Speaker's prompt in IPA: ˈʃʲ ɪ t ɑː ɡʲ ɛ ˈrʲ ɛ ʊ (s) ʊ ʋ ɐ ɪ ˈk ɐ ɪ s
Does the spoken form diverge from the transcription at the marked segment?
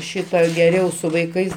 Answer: no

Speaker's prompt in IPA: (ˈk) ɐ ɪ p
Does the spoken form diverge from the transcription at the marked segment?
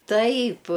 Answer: yes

